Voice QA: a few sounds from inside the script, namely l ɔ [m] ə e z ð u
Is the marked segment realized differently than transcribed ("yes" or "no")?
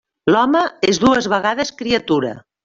no